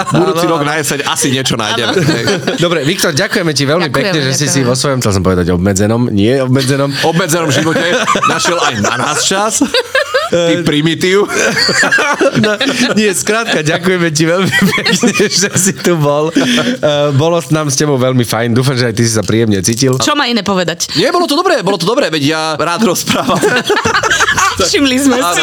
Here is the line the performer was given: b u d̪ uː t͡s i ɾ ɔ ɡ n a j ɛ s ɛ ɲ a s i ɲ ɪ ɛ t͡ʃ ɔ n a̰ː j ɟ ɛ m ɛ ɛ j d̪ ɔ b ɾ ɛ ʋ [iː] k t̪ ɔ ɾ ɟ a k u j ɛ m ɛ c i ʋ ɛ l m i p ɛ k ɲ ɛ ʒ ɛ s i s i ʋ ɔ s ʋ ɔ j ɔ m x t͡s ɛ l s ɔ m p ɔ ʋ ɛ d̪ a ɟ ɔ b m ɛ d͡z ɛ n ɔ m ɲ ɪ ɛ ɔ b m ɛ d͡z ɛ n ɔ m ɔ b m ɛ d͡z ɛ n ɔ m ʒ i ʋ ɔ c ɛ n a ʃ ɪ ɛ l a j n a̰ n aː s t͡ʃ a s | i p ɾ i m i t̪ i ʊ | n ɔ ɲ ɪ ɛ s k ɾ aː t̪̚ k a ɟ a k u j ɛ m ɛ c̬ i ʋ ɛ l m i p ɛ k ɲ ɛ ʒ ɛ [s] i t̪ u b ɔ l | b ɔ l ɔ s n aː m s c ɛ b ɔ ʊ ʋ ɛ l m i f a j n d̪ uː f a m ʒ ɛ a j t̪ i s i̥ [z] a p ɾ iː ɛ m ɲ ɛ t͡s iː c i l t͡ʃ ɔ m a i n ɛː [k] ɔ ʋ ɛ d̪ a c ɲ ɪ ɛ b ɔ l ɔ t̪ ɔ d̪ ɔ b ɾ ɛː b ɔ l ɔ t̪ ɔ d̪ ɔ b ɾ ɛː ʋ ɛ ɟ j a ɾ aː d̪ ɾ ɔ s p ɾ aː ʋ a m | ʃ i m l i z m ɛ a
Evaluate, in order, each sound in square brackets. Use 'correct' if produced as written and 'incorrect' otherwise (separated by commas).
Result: incorrect, correct, incorrect, incorrect